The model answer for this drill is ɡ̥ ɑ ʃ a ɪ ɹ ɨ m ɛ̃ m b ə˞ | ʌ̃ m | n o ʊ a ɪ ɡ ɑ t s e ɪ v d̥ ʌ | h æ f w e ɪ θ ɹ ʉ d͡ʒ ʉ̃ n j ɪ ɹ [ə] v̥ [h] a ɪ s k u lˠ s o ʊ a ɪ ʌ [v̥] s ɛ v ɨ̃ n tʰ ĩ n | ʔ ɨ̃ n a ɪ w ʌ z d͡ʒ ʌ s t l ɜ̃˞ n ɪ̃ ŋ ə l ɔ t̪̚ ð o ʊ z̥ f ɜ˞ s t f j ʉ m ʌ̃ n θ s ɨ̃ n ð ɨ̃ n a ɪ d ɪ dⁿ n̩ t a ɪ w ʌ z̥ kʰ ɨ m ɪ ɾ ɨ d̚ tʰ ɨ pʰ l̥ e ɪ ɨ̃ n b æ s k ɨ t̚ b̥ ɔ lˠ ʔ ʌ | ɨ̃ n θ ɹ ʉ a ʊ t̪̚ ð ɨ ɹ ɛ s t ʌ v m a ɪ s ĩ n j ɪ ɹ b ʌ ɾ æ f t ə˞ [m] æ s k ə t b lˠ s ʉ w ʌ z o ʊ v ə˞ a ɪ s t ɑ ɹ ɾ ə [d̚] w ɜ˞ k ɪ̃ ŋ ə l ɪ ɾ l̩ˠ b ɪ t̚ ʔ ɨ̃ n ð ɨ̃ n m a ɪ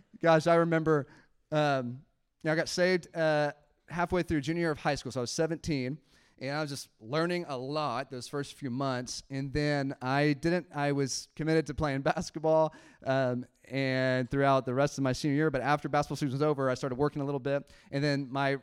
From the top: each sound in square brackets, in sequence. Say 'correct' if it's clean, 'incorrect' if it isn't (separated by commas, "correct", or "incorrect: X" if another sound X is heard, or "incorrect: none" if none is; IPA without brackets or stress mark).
incorrect: ʌ, correct, incorrect: z̥, incorrect: b, correct